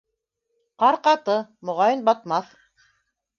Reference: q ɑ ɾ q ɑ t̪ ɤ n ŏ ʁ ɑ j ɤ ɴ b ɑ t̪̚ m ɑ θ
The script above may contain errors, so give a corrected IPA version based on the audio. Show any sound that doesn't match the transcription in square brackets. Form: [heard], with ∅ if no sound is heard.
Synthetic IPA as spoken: q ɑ ɾ q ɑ t̪ ɤ [m] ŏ ʁ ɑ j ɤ [n] b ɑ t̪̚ m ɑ θ